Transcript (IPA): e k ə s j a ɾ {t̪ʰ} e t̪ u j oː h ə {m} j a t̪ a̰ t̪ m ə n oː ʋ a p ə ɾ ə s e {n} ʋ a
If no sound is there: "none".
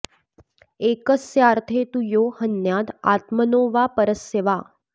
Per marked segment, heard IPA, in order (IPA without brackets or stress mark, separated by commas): t̪ʰ, n, none